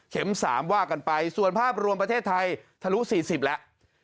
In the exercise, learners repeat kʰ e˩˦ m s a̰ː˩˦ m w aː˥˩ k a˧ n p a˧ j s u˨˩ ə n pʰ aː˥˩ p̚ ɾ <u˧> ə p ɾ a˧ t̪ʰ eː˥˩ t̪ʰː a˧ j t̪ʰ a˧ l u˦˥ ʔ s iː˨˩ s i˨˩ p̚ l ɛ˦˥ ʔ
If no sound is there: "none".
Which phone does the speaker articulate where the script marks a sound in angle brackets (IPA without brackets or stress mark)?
u˧